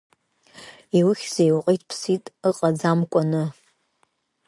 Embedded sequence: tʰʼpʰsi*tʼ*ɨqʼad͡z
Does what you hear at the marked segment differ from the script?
no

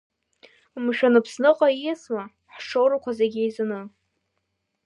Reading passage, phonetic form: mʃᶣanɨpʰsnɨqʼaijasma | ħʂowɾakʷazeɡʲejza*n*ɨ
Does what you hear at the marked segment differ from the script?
no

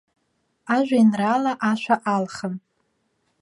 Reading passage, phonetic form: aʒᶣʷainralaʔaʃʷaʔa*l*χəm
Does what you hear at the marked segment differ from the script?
no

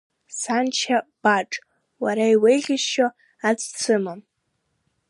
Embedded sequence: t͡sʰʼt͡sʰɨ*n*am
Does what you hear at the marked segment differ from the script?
yes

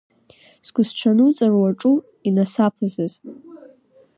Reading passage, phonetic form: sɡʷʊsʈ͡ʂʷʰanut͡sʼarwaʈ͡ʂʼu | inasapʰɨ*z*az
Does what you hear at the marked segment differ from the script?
no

